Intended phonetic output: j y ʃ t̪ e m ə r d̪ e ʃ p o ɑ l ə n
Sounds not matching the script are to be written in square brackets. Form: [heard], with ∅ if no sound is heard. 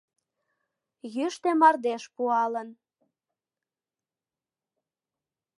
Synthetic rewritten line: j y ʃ t̪ e m [ɑ] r d̪ e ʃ p [u] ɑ l ə n